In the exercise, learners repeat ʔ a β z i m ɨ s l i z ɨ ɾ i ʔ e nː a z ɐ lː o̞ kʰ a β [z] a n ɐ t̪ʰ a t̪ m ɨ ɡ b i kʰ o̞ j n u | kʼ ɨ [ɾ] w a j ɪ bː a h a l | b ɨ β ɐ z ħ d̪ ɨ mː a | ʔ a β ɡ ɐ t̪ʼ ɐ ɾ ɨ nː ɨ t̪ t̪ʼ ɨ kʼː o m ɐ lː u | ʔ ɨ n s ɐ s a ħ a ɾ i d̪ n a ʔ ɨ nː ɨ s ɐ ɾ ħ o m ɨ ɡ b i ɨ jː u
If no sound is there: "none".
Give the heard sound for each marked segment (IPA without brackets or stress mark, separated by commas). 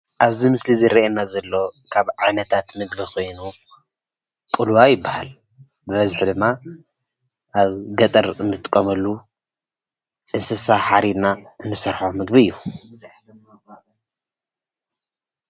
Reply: ʕ, l